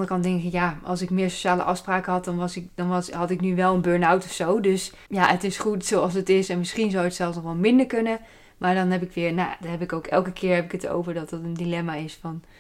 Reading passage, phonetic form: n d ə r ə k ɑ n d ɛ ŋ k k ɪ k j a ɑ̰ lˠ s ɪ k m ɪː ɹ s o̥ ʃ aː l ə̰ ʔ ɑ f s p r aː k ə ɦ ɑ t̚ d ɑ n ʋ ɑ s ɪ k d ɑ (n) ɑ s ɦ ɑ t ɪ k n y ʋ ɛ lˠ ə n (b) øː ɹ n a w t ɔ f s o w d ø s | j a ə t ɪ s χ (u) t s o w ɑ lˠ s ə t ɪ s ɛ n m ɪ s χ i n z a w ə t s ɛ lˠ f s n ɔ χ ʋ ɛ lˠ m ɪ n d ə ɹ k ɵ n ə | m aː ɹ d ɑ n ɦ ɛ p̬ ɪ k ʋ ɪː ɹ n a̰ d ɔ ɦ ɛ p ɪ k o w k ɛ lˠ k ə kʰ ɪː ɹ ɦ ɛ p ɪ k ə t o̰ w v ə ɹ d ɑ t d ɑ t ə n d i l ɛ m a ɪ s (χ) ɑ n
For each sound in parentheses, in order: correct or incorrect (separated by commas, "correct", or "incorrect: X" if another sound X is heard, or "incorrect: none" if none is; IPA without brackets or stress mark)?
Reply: correct, correct, correct, incorrect: f